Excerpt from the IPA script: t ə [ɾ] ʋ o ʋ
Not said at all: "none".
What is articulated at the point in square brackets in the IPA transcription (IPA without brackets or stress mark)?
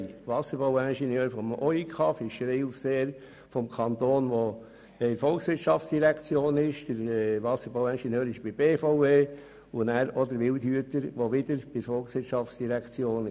ɾ